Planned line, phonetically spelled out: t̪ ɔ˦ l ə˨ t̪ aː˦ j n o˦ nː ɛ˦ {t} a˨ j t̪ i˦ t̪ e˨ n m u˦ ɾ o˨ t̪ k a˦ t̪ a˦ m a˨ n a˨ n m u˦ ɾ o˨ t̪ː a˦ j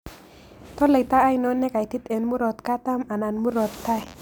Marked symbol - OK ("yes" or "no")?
no